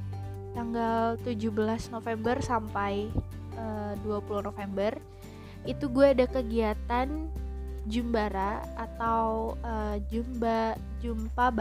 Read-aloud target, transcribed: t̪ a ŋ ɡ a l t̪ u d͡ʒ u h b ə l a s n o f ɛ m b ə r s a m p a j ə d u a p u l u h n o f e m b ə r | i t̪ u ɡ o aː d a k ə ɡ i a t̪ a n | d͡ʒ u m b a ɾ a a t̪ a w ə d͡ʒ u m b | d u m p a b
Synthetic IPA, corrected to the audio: t̪ a ŋ ɡ a l t̪ u d͡ʒ u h b ə l a s n o f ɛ m b ə r s a m p a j ə d u a p u l u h n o f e m b ə r | i t̪ u ɡ u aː d a k ə ɡ i a t̪ a n | d͡ʒ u m b a ɾ a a t̪ a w ə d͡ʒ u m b | d͡ʒ u m p a b